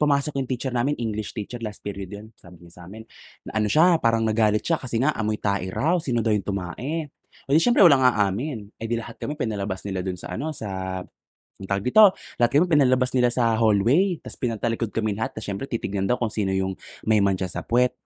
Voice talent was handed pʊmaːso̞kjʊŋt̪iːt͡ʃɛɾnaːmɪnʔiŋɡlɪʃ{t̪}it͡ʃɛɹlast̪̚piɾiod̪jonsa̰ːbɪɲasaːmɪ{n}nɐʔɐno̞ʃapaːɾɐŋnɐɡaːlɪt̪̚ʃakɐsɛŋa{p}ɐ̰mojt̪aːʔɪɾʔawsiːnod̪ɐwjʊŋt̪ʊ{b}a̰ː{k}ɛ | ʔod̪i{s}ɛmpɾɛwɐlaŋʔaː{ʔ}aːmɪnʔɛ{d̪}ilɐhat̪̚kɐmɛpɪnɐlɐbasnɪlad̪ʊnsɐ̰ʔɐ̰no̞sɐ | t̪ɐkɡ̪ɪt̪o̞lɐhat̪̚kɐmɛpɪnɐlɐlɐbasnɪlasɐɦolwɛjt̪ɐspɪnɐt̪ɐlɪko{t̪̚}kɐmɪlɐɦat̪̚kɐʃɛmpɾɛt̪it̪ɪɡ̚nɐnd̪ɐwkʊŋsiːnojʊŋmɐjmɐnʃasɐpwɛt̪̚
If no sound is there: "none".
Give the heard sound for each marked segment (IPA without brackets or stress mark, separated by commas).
t̪, n, ʔ, m, ʔ, ʃ, ʔ, d̪, d̪̚